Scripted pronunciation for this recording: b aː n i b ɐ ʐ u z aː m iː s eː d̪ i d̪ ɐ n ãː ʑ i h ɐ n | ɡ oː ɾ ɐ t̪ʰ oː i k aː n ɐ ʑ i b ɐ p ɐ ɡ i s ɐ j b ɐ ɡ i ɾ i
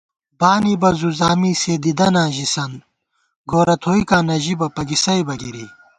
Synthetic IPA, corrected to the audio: b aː n i b ɐ z u z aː m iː s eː d̪ i d̪ ɐ n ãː ʑ i s ɐ n | ɡ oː ɾ ɐ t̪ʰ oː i k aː n ɐ ʑ i b ɐ p ɐ ɡ i s ɐ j b ɐ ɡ i ɾ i